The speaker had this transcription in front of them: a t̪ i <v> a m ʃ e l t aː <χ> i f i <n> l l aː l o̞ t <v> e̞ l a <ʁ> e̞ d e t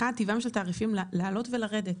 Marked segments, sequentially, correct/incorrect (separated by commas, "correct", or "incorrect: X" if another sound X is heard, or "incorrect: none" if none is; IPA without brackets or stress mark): correct, incorrect: ʁ, incorrect: m, correct, correct